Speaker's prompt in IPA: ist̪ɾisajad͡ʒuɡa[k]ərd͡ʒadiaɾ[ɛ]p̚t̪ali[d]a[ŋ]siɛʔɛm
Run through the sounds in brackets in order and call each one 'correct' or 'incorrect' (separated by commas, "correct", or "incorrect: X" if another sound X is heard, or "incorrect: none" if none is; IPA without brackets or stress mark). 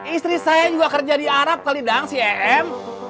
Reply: correct, incorrect: a, correct, correct